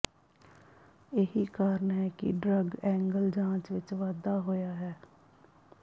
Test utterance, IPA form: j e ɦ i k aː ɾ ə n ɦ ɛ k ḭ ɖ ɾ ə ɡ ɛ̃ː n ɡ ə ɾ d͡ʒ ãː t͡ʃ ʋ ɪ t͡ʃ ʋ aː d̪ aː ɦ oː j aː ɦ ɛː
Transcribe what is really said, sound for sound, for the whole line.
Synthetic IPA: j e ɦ i k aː ɾ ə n ɦ ɛ k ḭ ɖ ɾ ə ɡ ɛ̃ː ŋ ɡ ə l d͡ʒ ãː t͡ʃ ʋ ɪ t͡ʃ ʋ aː d̪ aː ɦ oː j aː ɦ ɛː